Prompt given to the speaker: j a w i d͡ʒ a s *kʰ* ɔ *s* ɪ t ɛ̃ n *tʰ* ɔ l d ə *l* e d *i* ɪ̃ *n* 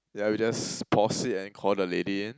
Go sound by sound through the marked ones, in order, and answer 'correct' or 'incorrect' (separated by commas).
incorrect, correct, incorrect, correct, correct, correct